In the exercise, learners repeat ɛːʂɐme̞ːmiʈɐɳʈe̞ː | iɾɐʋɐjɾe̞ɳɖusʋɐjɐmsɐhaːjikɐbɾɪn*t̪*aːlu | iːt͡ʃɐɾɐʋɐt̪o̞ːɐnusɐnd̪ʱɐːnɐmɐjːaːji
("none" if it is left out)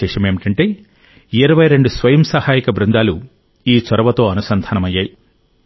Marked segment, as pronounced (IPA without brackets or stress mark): d̪